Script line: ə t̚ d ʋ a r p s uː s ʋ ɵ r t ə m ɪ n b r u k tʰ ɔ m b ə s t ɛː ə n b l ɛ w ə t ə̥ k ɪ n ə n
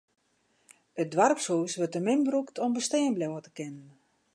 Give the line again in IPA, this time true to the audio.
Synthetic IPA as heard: ə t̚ d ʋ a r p s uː s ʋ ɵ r t ə m ɪ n b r u k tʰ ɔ m b ə s t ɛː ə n b l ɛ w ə t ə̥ k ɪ n ə n